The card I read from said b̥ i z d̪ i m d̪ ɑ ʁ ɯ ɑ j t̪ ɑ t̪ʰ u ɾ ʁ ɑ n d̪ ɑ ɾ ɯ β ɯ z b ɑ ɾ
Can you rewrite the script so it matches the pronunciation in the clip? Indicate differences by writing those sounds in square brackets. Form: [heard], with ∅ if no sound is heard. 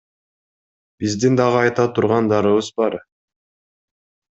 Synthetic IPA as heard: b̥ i z d̪ i [n] d̪ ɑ ʁ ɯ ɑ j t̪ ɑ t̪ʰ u ɾ ʁ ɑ n d̪ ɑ ɾ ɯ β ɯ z b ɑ ɾ